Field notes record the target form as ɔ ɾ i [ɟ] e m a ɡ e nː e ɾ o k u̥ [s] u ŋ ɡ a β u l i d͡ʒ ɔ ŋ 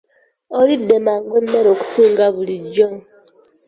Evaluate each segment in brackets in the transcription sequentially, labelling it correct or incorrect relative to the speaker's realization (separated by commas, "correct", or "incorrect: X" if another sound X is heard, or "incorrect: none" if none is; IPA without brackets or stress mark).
incorrect: d, correct